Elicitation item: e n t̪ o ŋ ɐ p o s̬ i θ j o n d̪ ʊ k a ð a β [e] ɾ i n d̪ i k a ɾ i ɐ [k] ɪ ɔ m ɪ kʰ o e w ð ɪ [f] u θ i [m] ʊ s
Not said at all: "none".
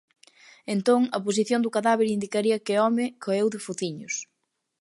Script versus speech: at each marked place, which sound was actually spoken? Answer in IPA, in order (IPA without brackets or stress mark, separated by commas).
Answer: e, k, f, ɲ